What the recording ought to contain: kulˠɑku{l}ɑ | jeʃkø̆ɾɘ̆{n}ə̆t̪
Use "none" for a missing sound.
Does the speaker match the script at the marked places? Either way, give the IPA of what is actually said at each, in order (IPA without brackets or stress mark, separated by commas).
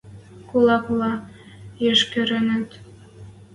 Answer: l, n